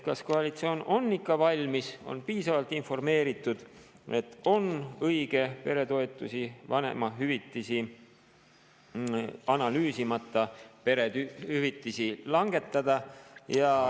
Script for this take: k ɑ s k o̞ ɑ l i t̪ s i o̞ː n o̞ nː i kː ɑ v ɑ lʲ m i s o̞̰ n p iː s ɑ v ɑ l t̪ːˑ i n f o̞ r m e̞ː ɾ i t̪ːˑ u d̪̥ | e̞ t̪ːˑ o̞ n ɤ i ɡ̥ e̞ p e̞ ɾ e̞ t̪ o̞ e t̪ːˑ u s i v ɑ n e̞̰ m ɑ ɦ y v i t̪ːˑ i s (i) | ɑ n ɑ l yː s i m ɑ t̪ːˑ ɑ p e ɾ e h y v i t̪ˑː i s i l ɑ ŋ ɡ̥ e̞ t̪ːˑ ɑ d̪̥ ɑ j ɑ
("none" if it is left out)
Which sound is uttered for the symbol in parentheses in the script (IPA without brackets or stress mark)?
i